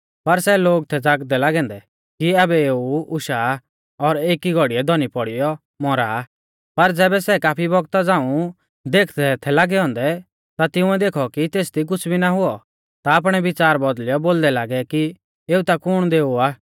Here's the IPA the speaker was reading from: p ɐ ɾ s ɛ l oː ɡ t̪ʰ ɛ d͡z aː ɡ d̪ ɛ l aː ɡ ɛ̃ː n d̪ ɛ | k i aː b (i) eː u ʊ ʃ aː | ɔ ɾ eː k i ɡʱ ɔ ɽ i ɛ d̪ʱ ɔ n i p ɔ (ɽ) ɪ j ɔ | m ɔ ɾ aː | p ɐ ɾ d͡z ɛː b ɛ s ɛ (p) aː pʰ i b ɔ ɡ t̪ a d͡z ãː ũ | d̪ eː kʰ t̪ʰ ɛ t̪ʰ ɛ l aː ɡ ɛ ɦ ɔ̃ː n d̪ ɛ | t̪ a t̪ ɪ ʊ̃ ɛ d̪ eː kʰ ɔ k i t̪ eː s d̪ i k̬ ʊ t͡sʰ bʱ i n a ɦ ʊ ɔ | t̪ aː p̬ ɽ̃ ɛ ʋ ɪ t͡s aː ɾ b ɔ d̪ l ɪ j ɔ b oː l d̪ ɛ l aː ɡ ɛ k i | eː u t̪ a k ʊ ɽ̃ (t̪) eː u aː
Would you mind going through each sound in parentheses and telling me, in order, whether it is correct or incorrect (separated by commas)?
incorrect, correct, incorrect, incorrect